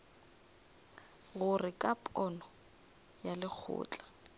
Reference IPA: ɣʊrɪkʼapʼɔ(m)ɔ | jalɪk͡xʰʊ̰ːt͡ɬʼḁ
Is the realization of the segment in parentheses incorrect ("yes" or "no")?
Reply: yes